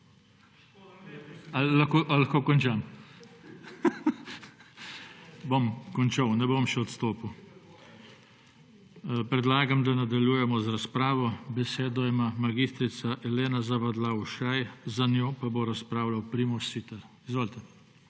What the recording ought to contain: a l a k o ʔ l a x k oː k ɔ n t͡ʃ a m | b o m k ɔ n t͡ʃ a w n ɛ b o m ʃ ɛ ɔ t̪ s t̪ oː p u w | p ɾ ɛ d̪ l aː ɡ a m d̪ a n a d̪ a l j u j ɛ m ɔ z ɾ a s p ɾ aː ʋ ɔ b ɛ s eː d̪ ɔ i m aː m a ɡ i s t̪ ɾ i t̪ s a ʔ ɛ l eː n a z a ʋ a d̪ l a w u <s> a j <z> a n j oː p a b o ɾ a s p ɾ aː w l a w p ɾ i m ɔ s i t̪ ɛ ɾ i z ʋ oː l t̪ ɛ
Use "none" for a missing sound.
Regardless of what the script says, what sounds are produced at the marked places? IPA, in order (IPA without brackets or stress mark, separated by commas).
ʃ, z